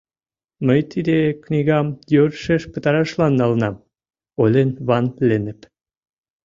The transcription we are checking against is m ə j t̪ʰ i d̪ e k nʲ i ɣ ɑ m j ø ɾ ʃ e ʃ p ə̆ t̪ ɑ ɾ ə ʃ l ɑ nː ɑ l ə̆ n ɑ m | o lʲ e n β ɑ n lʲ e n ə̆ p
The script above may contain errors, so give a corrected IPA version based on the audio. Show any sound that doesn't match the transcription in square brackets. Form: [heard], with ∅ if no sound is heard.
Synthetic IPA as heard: m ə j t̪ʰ i d̪ e k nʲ i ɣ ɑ m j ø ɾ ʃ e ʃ p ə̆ t̪ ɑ ɾ [ɑ] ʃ l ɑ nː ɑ l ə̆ n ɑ m | o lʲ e n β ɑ n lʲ e n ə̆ p